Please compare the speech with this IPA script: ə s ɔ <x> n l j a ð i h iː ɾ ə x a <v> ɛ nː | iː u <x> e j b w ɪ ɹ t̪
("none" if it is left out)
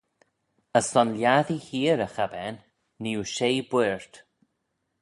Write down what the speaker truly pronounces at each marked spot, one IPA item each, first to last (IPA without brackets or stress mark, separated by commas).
none, b, ʃ